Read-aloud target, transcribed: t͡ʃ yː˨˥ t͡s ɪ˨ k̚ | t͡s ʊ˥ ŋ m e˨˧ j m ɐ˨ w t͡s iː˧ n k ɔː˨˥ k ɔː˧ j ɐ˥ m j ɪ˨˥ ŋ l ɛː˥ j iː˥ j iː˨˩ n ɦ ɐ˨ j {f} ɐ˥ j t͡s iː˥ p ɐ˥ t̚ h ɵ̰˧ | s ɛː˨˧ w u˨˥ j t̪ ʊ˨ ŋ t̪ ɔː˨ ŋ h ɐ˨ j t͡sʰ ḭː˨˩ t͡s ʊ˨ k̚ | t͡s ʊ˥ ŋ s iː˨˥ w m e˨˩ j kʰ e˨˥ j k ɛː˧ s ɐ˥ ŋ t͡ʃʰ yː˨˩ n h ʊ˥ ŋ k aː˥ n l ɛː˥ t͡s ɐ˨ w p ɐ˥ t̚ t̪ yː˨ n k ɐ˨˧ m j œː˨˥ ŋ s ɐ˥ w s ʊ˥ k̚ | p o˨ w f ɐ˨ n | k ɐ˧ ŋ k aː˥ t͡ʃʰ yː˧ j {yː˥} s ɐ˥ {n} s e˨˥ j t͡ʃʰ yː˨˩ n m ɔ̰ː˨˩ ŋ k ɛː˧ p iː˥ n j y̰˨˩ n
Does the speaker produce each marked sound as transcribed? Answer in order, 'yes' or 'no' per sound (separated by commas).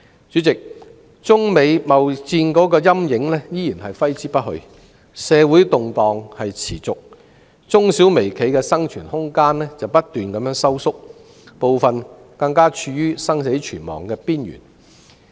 yes, yes, no